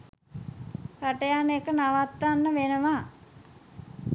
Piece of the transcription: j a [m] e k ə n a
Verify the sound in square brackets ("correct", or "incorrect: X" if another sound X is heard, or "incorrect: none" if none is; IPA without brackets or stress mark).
incorrect: n